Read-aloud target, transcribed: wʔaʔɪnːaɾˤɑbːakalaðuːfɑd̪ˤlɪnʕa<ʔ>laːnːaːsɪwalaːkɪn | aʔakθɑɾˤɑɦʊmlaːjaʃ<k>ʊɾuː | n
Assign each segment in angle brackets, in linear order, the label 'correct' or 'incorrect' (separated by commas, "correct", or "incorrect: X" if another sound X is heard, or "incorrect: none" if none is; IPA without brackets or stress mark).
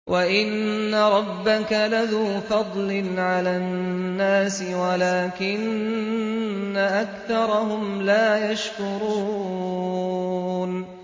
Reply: incorrect: none, correct